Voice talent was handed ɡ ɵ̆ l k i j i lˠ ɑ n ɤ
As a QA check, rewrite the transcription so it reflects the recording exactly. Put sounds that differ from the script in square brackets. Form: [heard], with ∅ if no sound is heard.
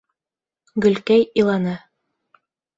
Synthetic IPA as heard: ɡ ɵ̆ l k [æ] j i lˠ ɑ n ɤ